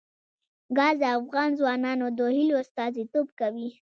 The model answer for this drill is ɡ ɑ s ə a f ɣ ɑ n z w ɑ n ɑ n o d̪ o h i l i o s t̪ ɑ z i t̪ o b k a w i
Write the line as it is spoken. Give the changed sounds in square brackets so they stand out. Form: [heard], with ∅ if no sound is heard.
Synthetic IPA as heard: ɡ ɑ [z] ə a f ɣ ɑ n z w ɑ n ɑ n o d̪ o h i l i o s t̪ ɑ z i t̪ o b k a w i